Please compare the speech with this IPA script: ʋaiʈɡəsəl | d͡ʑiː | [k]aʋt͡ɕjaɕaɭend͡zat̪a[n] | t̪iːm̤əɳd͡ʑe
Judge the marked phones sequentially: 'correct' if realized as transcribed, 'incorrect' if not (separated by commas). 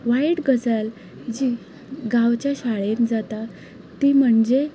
incorrect, incorrect